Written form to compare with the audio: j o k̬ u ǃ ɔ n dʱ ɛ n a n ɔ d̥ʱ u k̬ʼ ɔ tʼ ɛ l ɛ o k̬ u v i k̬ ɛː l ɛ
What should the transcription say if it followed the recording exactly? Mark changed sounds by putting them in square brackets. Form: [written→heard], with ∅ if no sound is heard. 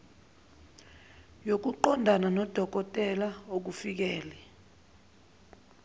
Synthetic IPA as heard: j o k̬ u ǃ ɔ n dʱ [ɛ→a] n a n ɔ d̥ʱ [u→ɔ] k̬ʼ ɔ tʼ ɛ l [ɛ→a] o k̬ u [v→f] i k̬ ɛː l ɛ